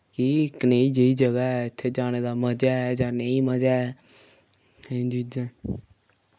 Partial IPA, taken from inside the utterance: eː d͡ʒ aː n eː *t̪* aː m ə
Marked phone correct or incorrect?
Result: incorrect